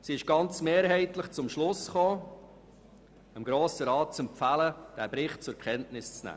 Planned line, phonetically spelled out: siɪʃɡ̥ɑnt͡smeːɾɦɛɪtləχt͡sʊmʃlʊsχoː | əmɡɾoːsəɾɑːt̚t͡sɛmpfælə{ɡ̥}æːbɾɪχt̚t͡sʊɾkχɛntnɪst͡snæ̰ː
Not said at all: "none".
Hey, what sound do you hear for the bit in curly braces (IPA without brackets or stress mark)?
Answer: d̥